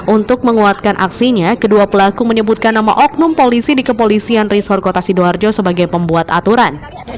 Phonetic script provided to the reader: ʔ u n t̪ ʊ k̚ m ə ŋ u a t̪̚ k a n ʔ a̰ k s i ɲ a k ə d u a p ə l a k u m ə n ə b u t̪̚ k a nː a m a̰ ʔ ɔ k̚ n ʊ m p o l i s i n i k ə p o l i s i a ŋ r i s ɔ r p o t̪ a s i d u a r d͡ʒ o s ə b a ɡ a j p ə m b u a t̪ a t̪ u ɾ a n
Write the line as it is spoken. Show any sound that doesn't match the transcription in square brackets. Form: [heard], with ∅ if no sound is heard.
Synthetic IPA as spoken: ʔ u n t̪ ʊ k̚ m ə ŋ u a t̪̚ k a n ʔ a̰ k s i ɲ a k ə d u a p ə l a k u m ə [ɲ] ə b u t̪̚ k a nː a m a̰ ʔ ɔ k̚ n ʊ m p o l i s i [d] i k ə p o l i s i a [n] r i s ɔ r [k] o t̪ a s i d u a r d͡ʒ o s ə b a ɡ a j p ə m b u a t̪ a t̪ u ɾ a n